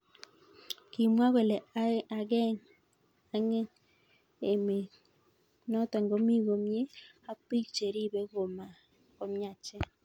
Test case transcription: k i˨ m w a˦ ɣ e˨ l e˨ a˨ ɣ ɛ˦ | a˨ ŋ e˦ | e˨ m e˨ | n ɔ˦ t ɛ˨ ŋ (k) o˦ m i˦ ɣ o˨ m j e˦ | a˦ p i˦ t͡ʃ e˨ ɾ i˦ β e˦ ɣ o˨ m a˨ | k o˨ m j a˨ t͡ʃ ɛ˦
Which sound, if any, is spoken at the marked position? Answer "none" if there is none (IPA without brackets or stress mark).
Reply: ɡ